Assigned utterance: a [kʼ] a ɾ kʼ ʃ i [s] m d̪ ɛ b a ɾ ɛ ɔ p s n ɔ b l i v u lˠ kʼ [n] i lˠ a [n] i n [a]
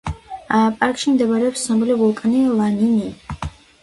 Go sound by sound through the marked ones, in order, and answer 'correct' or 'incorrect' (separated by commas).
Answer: incorrect, incorrect, correct, correct, incorrect